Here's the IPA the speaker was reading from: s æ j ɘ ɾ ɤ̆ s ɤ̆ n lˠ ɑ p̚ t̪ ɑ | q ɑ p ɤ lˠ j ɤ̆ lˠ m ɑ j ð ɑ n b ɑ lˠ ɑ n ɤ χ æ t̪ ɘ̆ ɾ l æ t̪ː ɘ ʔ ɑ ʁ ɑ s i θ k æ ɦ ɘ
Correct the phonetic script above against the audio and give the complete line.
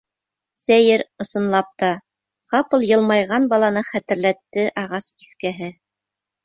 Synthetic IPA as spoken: s æ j ɘ ɾ ɤ̆ s ɤ̆ n lˠ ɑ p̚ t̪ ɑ | q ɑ p ɤ lˠ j ɤ̆ lˠ m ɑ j ʁ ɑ n b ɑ lˠ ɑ n ɤ χ æ t̪ ɘ̆ ɾ l æ t̪ː ɘ ʔ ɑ ʁ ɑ s i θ k æ ɦ ɘ